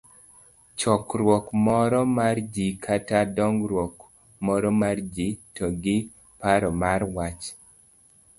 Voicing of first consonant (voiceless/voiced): voiceless